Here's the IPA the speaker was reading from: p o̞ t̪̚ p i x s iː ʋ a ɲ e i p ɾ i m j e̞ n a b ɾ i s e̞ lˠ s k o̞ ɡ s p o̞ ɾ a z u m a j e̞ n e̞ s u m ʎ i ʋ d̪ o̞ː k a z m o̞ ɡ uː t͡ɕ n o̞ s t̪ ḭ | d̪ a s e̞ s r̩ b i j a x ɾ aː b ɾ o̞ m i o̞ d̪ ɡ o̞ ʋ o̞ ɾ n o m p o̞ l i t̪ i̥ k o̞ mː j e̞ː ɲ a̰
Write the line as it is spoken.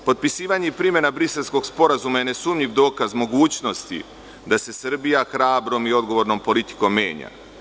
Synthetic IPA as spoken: p o̞ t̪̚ p i s iː ʋ a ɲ e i p ɾ i m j e̞ n a b ɾ i s e̞ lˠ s k o̞ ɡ s p o̞ ɾ a z u m a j e̞ n e̞ s u m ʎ i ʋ d̪ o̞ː k a z m o̞ ɡ uː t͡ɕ n o̞ s t̪ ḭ | d̪ a s e̞ s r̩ b i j a x ɾ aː b ɾ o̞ m i o̞ d̪ ɡ o̞ ʋ o̞ ɾ n o m p o̞ l i t̪ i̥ k o̞ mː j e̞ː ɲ a̰